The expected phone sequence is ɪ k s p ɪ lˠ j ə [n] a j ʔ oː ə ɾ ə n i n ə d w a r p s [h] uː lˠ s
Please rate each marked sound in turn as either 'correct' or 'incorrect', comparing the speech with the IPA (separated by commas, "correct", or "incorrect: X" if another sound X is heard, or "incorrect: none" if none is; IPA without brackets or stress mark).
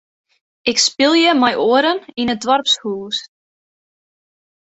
incorrect: m, correct